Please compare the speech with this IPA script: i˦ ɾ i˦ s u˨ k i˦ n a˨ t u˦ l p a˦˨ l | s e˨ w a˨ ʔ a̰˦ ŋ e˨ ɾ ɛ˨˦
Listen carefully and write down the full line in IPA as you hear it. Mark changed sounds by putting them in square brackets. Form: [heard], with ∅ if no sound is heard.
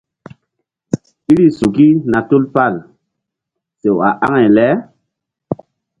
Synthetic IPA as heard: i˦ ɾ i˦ s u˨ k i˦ n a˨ t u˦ l p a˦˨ l | s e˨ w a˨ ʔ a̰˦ ŋ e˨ [l] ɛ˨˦